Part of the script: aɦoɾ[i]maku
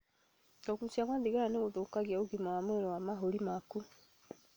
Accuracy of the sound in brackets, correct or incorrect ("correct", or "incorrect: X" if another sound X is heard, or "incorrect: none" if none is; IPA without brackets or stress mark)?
correct